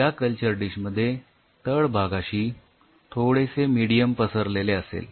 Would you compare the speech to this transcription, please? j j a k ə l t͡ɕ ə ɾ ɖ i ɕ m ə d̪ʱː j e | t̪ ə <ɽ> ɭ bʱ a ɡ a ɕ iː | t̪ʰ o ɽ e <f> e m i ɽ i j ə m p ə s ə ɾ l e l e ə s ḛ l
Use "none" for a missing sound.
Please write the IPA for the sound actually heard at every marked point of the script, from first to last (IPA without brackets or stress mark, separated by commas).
none, s